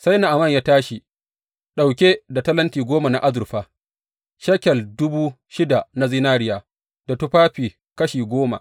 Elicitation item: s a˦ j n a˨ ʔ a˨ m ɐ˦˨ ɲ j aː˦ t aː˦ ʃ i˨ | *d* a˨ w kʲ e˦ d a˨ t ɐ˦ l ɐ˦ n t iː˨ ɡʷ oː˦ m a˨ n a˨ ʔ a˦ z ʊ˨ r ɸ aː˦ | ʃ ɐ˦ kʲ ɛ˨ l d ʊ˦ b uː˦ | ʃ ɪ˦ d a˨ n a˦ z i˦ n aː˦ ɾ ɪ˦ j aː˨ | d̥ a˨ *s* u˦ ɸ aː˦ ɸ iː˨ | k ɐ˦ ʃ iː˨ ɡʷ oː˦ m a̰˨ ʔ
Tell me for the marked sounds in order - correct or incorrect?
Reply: incorrect: ɗ, incorrect: t

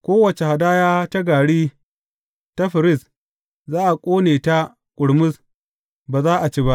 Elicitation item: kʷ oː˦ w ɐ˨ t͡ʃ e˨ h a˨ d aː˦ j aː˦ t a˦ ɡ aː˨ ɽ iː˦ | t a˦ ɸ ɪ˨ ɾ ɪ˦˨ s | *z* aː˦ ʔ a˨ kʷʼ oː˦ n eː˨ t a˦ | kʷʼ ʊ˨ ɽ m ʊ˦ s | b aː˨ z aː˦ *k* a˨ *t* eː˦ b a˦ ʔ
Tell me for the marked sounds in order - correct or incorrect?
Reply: correct, incorrect: ʔ, incorrect: t͡ʃ

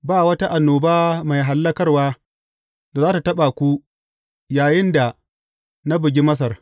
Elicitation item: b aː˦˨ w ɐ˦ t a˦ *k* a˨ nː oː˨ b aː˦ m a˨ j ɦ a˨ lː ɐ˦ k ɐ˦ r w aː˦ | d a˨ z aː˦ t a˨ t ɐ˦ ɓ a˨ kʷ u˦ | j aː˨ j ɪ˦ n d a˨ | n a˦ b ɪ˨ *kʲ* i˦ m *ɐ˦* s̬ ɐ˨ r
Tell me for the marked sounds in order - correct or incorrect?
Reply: incorrect: ʔ, incorrect: ɡʲ, correct

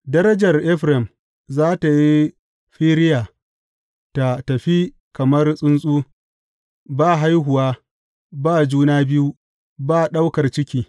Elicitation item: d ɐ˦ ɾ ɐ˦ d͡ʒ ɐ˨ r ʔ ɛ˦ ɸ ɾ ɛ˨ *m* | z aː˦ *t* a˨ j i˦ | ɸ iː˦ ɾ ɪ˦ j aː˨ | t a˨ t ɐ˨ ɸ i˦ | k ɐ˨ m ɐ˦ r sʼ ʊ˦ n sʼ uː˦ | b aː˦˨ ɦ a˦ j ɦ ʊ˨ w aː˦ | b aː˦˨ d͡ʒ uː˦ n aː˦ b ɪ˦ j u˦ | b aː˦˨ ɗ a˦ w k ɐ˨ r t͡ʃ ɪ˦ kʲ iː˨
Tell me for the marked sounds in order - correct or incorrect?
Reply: correct, correct

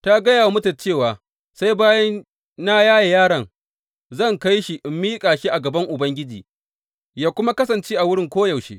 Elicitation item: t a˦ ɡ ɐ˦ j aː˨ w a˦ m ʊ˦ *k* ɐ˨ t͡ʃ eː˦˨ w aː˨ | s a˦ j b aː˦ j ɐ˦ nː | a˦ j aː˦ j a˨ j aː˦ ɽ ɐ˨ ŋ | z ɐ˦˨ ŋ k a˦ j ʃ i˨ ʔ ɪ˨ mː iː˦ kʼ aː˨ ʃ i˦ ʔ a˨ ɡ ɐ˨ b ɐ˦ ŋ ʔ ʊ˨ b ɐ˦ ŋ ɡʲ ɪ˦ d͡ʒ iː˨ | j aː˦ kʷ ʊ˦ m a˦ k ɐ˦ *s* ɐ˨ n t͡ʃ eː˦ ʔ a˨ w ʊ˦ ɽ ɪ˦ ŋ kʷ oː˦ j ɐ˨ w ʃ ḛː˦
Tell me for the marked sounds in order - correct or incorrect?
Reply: incorrect: t, correct

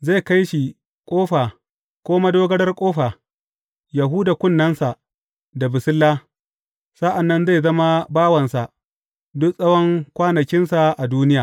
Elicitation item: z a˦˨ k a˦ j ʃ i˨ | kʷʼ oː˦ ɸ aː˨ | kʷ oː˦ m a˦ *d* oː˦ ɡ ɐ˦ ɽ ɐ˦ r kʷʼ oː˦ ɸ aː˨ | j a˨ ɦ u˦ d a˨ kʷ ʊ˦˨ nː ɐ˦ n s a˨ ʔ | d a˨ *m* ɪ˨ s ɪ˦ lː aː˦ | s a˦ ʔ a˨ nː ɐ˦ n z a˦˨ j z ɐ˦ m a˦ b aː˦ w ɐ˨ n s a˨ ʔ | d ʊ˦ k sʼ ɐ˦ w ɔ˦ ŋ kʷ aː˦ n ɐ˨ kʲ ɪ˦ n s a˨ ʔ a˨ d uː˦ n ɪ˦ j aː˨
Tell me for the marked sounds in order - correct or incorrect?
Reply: correct, incorrect: b

